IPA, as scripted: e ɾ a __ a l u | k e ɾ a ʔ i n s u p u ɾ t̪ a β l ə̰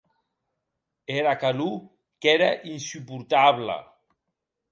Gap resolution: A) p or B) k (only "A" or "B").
B